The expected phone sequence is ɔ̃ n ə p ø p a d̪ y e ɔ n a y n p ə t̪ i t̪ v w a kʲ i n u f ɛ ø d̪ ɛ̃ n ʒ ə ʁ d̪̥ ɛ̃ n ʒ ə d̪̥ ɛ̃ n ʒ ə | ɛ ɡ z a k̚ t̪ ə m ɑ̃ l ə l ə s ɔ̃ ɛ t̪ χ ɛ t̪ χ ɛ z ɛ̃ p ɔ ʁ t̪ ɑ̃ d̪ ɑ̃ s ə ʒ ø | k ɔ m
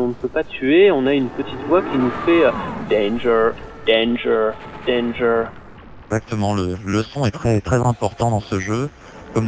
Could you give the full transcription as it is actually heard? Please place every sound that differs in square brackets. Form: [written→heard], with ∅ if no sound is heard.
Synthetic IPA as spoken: ɔ̃ n ə p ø p a [d̪→t̪] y e [ɔ→ɔ̃] n a y n p ə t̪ i t̪ v w a kʲ i n u f ɛ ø d̪ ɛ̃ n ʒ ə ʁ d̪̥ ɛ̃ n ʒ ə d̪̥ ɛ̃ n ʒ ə | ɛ ɡ z a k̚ t̪ ə m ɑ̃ l ə l ə s ɔ̃ ɛ t̪ χ ɛ t̪ χ ɛ z ɛ̃ p ɔ ʁ t̪ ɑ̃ d̪ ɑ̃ s ə ʒ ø | k ɔ m